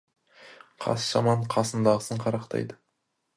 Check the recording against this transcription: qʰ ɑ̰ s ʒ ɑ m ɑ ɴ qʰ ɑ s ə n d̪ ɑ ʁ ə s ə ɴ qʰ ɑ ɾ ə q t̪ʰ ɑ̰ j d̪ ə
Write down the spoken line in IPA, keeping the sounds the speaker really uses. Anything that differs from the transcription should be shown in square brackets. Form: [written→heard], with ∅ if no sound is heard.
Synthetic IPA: qʰ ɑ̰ s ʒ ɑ m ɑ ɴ qʰ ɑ s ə n d̪ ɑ ʁ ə s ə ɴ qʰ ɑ ɾ [ə→ɑ] q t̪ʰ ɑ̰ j d̪ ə